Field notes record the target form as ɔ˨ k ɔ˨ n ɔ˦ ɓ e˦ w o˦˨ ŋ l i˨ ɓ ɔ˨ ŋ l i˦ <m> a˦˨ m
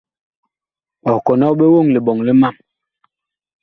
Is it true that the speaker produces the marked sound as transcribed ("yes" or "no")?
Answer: yes